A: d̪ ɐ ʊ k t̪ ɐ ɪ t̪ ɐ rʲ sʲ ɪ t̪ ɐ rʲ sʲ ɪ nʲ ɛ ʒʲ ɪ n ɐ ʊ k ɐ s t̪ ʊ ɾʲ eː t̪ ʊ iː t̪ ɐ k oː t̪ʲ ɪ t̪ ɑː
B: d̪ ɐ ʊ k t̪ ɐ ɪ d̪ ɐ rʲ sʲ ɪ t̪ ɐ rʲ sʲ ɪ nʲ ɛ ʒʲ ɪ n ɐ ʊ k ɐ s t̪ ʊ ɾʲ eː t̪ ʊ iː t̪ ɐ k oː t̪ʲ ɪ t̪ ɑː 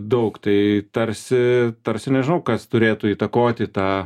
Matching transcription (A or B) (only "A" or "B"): A